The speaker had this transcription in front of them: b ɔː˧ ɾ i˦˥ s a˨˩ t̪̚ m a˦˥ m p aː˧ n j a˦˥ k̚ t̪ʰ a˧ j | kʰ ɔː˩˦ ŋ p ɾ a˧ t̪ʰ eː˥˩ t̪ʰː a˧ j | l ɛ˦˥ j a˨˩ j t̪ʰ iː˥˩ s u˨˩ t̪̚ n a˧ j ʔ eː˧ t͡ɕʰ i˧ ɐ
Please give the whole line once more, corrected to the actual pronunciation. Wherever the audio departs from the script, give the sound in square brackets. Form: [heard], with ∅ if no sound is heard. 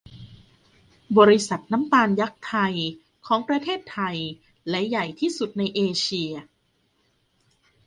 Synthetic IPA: b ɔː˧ ɾ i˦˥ s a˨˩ t̪̚ [n] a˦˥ m p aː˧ n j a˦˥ k̚ t̪ʰ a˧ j | kʰ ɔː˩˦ ŋ p ɾ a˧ t̪ʰ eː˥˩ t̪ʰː a˧ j | l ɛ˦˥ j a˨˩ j t̪ʰ iː˥˩ s u˨˩ t̪̚ n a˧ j ʔ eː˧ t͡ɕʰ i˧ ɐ